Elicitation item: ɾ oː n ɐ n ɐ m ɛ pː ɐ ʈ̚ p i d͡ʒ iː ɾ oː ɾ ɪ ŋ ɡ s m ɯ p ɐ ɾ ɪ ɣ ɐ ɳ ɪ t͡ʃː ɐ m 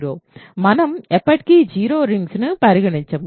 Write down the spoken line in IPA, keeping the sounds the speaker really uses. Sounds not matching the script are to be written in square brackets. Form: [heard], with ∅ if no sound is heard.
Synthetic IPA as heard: ɾ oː [m] ɐ n ɐ m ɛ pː ɐ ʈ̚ [k] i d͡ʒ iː ɾ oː ɾ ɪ ŋ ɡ s [n] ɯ p ɐ ɾ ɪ ɣ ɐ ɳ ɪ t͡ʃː ɐ m